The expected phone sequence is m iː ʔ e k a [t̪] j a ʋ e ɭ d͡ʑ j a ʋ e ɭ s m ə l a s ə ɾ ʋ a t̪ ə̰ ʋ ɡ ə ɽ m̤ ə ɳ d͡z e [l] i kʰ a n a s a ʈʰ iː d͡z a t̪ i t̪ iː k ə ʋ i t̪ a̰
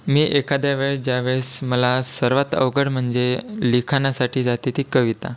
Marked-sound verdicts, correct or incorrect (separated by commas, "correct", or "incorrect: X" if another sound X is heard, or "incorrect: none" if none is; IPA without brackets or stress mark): incorrect: d̪, correct